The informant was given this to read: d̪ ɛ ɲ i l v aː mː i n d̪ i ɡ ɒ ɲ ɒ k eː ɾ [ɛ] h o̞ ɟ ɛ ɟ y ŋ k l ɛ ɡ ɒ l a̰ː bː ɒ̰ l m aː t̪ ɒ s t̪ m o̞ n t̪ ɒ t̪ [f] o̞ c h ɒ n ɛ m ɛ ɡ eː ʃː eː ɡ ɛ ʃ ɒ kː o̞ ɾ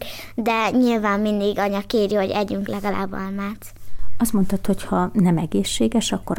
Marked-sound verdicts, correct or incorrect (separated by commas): incorrect, incorrect